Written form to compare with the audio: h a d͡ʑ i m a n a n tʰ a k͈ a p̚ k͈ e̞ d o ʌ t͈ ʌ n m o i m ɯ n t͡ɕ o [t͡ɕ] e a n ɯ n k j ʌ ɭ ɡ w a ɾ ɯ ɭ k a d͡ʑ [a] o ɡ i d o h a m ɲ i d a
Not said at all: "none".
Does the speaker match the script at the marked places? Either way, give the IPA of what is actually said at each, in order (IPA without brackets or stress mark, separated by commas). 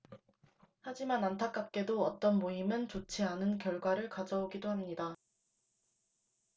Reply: t͡ɕʰ, ʌ